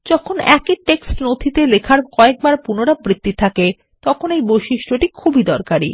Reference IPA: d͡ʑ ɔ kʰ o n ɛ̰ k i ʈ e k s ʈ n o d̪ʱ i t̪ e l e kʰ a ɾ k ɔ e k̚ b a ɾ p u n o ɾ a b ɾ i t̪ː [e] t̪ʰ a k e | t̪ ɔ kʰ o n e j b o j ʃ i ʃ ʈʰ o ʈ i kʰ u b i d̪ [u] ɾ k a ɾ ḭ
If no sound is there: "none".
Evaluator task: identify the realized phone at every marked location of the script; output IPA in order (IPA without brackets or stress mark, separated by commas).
i, ɔ